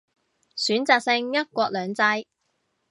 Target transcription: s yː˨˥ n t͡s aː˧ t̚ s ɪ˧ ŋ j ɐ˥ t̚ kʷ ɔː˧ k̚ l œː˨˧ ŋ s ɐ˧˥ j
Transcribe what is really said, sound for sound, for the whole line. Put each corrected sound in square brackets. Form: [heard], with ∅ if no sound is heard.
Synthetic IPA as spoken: s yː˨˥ n t͡s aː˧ [k̚] s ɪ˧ ŋ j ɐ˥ t̚ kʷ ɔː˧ k̚ l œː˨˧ ŋ [t͡s] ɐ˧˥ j